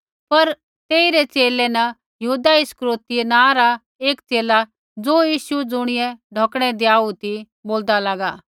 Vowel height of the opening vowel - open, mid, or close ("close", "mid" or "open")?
open